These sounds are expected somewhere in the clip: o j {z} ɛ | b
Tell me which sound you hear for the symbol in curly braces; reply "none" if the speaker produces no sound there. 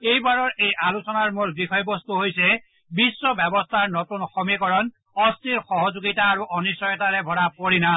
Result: s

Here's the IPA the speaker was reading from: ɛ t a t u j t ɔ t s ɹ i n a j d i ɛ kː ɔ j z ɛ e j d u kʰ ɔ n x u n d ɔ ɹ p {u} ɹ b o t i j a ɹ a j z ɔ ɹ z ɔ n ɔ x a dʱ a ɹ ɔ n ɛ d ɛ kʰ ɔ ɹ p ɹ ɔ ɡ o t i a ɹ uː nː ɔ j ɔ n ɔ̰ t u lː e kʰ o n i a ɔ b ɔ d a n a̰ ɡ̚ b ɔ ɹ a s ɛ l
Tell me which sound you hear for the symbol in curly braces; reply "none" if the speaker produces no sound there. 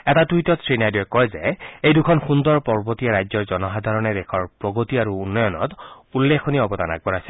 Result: ɔ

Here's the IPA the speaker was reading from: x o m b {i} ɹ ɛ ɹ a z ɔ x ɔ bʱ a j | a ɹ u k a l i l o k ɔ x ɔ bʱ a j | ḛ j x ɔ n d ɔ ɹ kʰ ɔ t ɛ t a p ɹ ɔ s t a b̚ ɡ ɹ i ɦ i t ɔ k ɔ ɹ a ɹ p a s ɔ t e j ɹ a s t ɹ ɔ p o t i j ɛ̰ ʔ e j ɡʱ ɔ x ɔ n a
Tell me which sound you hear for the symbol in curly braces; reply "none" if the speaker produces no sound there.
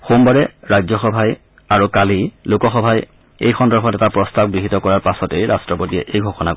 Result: a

